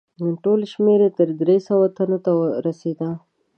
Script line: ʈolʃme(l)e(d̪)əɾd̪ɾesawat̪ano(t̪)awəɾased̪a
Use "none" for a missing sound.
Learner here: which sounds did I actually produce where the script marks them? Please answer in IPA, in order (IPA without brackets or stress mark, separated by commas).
ɾ, t̪, t̪